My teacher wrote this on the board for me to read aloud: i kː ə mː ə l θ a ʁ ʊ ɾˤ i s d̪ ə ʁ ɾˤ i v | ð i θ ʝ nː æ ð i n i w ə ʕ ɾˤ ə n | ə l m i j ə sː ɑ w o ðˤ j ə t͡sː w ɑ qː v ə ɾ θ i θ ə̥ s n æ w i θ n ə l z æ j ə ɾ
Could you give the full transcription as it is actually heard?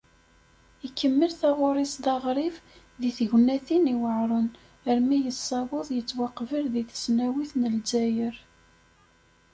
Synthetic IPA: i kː ə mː ə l θ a ʁ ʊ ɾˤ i s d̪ ɑ ʁ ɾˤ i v | ð i θ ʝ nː æ θ i n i w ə ʕ ɾˤ ə n | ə ɾ m i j ə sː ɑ w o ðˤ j ə t͡sː w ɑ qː v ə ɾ ð i θ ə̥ s n æ w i θ n ə l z æ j ə ɾ